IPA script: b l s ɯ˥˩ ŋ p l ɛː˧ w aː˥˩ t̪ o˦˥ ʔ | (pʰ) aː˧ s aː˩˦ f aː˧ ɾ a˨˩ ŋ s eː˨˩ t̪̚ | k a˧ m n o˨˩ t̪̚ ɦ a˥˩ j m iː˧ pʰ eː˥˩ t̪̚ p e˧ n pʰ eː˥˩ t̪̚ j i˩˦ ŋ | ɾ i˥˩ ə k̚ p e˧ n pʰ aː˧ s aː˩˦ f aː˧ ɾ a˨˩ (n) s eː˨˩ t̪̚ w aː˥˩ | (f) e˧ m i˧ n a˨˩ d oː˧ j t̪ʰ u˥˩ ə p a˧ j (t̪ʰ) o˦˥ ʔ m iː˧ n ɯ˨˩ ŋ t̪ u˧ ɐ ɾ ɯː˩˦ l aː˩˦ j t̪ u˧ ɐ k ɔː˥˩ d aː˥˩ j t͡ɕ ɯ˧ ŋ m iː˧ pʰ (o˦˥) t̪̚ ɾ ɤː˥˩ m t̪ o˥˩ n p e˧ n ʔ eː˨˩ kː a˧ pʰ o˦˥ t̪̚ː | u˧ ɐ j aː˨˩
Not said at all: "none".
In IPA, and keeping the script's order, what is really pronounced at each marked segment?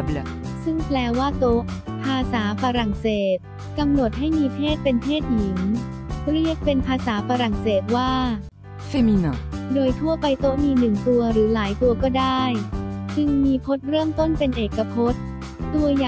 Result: pʰ, ŋ, f, t̪, o˦˥

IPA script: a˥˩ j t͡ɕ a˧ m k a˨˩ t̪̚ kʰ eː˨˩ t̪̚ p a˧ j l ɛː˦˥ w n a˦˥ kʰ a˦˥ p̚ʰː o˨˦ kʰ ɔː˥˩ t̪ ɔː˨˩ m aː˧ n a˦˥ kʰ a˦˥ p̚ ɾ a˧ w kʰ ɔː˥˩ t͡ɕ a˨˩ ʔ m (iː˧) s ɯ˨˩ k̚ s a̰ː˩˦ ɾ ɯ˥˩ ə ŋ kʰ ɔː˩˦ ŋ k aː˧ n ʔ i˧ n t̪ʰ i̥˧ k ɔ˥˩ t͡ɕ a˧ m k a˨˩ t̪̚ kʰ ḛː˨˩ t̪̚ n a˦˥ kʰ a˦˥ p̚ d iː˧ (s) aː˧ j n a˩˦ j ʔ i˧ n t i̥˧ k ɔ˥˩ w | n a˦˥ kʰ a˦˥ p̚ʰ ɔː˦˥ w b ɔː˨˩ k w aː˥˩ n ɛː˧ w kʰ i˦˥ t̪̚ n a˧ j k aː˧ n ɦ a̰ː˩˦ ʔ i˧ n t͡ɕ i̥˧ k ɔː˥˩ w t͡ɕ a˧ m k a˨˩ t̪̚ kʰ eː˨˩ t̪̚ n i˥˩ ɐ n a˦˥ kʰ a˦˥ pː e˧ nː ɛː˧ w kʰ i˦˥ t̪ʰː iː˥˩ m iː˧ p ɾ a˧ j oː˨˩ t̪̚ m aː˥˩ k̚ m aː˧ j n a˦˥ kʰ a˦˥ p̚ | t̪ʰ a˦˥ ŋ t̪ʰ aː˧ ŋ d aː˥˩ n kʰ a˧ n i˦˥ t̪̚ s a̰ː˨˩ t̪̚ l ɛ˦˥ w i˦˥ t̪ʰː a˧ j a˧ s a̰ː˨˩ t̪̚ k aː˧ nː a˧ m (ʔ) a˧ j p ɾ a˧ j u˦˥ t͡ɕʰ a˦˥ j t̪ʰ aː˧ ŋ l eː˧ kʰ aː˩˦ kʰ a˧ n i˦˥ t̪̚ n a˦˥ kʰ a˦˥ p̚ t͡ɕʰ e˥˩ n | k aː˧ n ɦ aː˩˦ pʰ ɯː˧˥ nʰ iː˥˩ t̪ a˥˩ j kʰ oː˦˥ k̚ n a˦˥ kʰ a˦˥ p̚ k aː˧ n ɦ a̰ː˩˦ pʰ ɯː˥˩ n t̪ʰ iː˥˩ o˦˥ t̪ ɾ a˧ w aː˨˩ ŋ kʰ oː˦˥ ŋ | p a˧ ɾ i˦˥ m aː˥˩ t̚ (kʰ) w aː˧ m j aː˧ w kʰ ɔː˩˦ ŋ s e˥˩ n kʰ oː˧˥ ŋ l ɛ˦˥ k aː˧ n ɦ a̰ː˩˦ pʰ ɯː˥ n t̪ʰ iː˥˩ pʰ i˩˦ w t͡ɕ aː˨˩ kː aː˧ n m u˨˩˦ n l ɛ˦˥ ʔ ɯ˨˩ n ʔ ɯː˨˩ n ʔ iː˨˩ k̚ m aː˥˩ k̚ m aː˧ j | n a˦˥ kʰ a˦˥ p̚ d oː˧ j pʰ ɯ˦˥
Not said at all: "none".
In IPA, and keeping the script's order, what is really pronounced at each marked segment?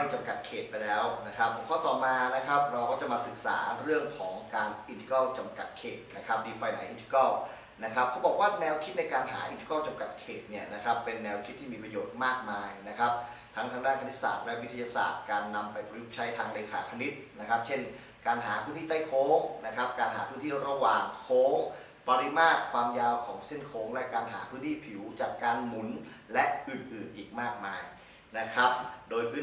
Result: aː˧, f, p, kʰ

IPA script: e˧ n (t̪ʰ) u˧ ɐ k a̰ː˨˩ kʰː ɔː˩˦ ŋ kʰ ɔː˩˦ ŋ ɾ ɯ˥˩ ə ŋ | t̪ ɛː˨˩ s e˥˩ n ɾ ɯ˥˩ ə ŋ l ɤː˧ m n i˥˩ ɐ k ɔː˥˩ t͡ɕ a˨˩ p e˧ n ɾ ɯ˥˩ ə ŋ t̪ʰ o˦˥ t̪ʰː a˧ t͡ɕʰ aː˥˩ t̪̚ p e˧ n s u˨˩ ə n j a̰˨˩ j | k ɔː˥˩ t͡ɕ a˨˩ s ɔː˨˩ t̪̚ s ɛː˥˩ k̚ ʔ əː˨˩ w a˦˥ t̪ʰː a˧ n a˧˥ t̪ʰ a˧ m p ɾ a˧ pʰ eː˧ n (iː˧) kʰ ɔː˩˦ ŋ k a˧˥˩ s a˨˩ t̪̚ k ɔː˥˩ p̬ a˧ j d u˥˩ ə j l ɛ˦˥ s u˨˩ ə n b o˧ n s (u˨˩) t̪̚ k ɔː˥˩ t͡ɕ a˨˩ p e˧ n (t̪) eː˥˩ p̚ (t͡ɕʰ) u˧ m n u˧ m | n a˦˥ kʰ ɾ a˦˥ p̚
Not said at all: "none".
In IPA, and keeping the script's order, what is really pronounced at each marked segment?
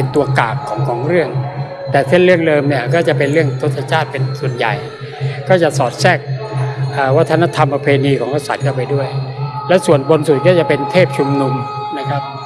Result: t̪, iː˧, u˨˩, t̪ʰ, t͡ɕʰ

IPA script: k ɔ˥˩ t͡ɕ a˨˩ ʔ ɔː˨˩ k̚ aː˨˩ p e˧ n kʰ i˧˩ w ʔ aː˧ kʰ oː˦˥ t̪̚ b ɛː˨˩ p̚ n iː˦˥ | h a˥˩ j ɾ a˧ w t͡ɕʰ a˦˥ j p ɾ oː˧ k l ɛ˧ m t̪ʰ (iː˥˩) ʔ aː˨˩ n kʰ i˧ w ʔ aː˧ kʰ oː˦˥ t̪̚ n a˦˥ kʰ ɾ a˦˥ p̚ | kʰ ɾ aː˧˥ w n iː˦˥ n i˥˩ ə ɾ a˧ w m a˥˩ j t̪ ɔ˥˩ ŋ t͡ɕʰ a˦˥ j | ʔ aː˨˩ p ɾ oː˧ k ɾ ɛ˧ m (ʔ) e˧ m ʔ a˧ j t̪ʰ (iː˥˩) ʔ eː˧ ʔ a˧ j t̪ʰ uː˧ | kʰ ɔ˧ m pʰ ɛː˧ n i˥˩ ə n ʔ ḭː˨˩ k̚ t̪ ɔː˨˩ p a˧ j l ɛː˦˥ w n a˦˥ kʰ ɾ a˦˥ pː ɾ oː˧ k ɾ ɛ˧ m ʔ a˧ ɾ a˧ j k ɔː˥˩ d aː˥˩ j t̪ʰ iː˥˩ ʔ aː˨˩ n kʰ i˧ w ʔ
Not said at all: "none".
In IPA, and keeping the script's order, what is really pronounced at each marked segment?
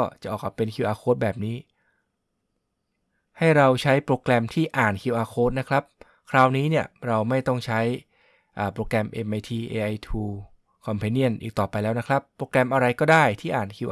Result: iː˥˩, ʔ, iː˧

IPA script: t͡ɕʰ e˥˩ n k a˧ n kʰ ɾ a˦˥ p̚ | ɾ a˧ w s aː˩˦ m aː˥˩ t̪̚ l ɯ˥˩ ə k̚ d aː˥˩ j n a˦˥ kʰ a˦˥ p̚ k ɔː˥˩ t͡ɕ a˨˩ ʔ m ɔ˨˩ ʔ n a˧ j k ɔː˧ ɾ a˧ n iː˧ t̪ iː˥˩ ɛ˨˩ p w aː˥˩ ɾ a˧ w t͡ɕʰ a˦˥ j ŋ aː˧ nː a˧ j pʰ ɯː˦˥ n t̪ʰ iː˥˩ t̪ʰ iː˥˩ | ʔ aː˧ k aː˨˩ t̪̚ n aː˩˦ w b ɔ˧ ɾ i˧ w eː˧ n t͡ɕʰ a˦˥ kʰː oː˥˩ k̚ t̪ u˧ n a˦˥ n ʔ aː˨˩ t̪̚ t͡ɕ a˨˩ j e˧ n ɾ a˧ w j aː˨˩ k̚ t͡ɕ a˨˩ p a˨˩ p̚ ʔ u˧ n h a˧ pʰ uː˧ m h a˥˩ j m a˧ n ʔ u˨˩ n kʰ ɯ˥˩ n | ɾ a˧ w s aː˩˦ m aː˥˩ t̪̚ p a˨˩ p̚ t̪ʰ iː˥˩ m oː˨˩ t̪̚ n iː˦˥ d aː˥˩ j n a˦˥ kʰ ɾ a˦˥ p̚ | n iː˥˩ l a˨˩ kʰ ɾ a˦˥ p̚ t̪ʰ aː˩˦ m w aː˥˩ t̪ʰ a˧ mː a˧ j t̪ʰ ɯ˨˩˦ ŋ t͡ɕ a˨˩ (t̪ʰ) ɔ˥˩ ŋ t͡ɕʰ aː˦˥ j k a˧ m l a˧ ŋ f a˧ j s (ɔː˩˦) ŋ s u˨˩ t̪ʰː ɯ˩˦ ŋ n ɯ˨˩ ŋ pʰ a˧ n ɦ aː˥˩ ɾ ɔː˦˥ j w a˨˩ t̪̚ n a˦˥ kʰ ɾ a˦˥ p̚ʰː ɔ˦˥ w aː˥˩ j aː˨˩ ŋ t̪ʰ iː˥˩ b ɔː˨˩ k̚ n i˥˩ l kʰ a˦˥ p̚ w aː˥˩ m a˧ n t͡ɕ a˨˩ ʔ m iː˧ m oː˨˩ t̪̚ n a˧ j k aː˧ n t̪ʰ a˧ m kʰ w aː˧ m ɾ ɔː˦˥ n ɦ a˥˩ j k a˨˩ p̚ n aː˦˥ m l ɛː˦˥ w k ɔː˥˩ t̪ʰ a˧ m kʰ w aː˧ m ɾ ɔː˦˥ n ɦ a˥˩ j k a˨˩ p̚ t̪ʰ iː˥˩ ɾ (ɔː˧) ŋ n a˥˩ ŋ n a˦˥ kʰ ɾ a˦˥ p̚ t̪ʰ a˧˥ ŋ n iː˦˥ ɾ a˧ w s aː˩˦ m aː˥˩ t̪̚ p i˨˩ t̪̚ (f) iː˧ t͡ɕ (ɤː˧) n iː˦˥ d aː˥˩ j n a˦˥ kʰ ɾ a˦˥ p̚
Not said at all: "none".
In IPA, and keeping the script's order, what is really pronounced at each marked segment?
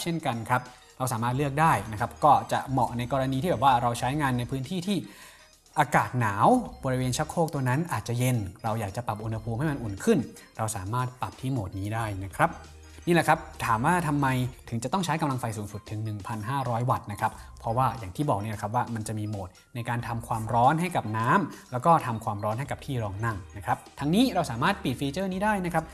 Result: t̪, uː˩˦, ɔː˧, f, ɤː˥˩

